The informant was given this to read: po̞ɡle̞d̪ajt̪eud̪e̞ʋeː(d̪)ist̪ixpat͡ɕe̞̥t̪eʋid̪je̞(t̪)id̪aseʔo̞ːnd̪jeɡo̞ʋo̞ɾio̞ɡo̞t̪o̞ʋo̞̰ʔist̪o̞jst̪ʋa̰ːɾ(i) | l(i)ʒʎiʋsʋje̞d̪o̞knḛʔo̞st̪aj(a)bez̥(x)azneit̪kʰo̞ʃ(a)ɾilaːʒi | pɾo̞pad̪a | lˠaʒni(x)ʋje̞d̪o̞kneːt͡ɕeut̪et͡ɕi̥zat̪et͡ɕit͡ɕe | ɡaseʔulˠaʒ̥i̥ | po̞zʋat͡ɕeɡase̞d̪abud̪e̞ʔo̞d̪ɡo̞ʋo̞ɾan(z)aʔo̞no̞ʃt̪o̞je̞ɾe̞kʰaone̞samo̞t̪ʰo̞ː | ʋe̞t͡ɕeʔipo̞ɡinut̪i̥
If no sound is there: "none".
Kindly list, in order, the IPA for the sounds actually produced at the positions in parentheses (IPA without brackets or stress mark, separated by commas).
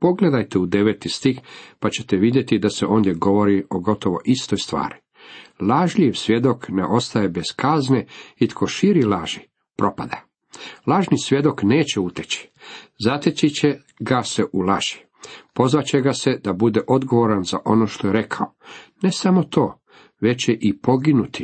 t̪, t̪, i, a, e, k, i, s, z